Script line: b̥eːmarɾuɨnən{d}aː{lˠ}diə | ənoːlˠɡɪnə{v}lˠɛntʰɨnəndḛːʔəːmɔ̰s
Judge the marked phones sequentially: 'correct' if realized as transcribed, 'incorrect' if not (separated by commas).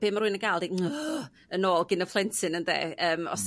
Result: incorrect, correct, incorrect